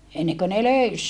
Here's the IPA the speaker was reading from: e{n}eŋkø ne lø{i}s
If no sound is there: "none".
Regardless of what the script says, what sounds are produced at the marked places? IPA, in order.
nː, y

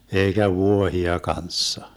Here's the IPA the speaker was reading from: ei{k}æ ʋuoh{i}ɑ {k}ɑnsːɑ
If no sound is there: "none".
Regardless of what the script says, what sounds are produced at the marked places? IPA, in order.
k, i, k

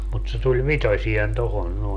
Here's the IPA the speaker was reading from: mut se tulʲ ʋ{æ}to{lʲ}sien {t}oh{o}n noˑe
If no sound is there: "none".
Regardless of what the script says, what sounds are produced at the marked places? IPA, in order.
i, none, t, o

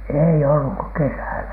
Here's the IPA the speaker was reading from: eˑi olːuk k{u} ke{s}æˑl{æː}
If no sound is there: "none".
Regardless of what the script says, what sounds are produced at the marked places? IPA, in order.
o, s, æ

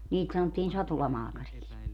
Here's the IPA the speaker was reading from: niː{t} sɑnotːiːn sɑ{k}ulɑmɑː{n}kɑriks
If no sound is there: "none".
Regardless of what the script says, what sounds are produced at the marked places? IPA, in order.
t, t, none

